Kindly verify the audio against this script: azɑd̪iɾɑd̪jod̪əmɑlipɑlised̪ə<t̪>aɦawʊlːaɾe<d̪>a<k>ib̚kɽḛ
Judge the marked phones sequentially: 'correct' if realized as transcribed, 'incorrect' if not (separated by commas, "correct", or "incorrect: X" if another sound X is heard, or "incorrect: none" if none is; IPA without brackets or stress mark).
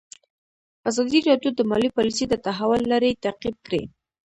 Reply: correct, incorrect: t̪, incorrect: q